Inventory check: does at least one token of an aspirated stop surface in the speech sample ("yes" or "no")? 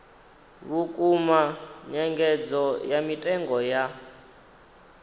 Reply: no